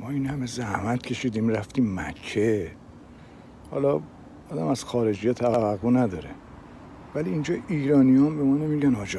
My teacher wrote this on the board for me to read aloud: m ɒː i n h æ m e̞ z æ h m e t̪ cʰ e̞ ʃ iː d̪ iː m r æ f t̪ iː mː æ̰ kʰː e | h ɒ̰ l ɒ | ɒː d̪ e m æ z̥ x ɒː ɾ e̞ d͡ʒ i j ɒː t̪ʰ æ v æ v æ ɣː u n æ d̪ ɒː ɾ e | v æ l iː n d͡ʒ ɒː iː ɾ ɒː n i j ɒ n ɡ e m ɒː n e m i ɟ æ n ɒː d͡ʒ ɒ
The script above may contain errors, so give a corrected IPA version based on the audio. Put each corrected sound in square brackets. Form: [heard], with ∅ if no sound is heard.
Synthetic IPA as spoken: m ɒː i n h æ m e̞ z æ h m [æ] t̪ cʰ e̞ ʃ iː d̪ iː m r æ f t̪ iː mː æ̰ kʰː e | h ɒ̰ l ɒ | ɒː d̪ [æ] m æ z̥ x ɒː ɾ e̞ d͡ʒ i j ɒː t̪ʰ æ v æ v æ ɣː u n æ d̪ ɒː ɾ e | v æ l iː n d͡ʒ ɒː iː ɾ ɒː n i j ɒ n [b] e m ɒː n e m i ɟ æ n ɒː d͡ʒ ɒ